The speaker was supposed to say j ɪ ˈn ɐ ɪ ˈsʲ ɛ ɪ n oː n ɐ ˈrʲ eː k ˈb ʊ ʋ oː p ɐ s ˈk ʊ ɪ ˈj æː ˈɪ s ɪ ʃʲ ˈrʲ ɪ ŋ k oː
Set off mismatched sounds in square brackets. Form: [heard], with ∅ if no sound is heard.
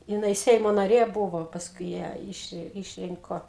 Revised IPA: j ɪ ˈn ɐ ɪ ˈsʲ ɛ ɪ [m] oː n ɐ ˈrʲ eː [∅] ˈb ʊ ʋ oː p ɐ s ˈk ʊ ɪ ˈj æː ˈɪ [ʃ] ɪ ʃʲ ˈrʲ ɪ ŋ k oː

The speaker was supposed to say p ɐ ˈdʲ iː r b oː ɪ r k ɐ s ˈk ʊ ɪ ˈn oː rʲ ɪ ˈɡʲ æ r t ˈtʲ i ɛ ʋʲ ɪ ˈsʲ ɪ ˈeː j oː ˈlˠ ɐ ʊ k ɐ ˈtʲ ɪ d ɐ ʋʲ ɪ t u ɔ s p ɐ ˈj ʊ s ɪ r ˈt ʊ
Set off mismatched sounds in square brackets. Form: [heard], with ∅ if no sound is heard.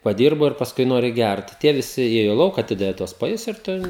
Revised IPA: p ɐ ˈdʲ iː r b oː ɪ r [p] ɐ s ˈk ʊ ɪ ˈn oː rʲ ɪ ˈɡʲ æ r t ˈtʲ i ɛ ʋʲ ɪ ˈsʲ ɪ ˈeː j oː ˈlˠ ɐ ʊ k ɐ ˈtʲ ɪ d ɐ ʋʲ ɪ t u ɔ s p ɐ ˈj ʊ s ɪ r ˈt ʊ

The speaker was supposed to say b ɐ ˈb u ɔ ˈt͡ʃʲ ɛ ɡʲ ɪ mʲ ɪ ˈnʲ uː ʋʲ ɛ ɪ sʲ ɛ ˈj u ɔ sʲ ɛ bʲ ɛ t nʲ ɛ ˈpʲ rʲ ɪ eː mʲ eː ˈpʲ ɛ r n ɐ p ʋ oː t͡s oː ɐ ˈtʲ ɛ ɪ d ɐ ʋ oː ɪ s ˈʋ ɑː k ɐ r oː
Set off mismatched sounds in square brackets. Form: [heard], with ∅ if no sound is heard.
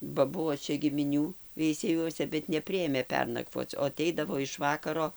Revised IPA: b ɐ ˈb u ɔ ˈt͡ʃʲ ɛ ɡʲ ɪ mʲ ɪ ˈnʲ uː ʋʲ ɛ ɪ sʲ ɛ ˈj u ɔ sʲ ɛ bʲ ɛ t nʲ ɛ ˈpʲ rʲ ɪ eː mʲ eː ˈpʲ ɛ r n ɐ [k] ʋ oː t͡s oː ɐ ˈtʲ ɛ ɪ d ɐ ʋ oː ɪ [ʃ] ˈʋ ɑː k ɐ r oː

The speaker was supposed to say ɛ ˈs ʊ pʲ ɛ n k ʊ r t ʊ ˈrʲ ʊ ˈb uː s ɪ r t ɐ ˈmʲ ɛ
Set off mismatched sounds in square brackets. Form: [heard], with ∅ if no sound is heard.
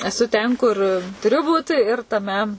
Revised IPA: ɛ ˈs ʊ [tʲ] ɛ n k ʊ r t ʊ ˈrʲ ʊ ˈb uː [t] ɪ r t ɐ ˈmʲ ɛ

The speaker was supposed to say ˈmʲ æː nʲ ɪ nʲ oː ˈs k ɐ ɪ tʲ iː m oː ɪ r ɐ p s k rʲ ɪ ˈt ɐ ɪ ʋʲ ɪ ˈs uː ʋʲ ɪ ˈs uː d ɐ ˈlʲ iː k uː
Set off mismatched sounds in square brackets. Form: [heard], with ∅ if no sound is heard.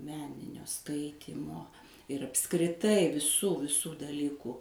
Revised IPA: ˈmʲ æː nʲ ɪ nʲ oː ˈs k ɐ ɪ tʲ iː m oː ɪ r ɐ p s k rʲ ɪ ˈt ɐ ɪ ʋʲ ɪ ˈs uː ʋʲ ɪ ˈs uː d ɐ ˈlʲ iː k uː

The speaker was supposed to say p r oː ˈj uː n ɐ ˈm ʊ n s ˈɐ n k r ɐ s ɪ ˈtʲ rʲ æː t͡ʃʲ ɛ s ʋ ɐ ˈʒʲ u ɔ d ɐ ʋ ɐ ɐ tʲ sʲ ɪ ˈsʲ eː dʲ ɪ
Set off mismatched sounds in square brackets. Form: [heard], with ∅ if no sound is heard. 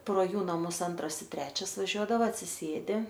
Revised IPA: p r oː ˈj uː n ɐ ˈm ʊ [∅] s ˈɐ n [t] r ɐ s ɪ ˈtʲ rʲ æː t͡ʃʲ ɛ s ʋ ɐ ˈʒʲ u ɔ d ɐ ʋ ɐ ɐ tʲ sʲ ɪ ˈsʲ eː dʲ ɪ

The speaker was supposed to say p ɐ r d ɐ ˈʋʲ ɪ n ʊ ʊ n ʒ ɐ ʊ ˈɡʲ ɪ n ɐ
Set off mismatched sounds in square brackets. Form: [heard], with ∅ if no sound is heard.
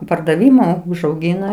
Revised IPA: p ɐ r d ɐ ˈʋʲ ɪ [m] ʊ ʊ [∅] ʒ ɐ ʊ ˈɡʲ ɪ n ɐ

